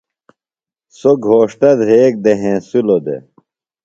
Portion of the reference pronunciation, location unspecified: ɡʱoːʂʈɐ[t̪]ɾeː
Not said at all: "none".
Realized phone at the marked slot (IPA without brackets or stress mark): d̪